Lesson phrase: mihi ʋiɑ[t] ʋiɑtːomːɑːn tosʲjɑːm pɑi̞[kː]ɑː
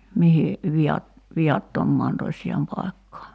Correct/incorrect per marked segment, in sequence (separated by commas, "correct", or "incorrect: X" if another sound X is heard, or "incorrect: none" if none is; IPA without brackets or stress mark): correct, correct